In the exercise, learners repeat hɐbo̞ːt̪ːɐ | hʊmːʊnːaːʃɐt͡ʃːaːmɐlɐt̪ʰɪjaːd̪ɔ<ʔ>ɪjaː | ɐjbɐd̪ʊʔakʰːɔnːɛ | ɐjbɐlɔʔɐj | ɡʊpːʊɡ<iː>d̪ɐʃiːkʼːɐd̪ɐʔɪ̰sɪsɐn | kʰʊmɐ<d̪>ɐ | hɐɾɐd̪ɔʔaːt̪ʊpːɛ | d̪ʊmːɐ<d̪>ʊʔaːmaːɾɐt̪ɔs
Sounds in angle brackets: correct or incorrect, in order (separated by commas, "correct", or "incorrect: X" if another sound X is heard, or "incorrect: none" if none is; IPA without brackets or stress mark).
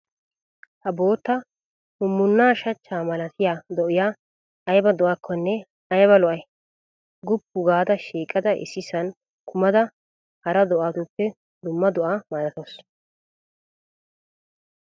correct, incorrect: aː, correct, correct